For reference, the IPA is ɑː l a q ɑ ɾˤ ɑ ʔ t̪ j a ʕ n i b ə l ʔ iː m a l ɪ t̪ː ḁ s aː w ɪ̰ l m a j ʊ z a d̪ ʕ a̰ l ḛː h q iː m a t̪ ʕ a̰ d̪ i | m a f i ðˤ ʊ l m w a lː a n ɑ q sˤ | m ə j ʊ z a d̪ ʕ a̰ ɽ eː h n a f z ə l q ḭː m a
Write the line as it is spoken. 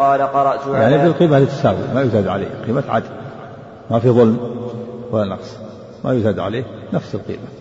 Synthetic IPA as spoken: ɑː l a q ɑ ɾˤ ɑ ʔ t̪ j a ʕ n i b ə l q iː m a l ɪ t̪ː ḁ s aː w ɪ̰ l m a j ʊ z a d̪ ʕ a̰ l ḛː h q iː m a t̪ ʕ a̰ d̪ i | m a f i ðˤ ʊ l m w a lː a n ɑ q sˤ | m a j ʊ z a d̪ ʕ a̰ l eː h n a f s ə l q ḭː m a